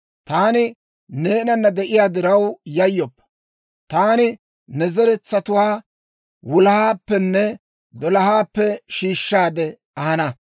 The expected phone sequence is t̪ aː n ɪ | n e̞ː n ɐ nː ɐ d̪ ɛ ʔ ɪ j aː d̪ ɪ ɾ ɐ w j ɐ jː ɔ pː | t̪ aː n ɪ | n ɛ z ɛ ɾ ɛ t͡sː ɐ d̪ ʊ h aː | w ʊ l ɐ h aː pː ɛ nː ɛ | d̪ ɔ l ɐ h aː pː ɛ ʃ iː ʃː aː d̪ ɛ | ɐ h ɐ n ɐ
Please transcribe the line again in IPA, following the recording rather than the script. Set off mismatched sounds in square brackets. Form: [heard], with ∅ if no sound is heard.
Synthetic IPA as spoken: t̪ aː n ɪ | n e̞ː n ɐ nː ɐ d̪ ɛ ʔ ɪ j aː d̪ ɪ ɾ ɐ w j ɐ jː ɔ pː | t̪ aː n ɪ | n ɛ z ɛ ɾ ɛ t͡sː ɐ [t̪] ʊ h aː | w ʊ l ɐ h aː pː ɛ nː ɛ | d̪ ɔ l ɐ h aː pː ɛ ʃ iː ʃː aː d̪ ɛ | ɐ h ɐ n ɐ